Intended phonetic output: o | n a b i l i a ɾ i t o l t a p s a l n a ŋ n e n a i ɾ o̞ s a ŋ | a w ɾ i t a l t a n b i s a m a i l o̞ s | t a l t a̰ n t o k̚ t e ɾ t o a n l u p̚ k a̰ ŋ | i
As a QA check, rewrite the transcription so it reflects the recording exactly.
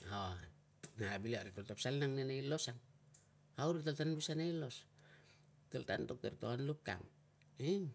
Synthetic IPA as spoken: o | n a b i l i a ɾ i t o l t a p s a l n a ŋ n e n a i l o̞ s a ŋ | a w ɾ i t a l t a n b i s a n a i l o̞ s | t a l t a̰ n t o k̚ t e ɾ t o a n l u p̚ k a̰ ŋ | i